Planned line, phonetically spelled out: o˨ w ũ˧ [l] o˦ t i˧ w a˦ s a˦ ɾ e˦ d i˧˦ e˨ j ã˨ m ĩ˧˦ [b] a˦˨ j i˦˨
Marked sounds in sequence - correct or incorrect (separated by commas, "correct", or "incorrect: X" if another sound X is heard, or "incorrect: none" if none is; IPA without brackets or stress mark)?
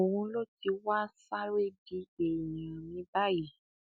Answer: correct, correct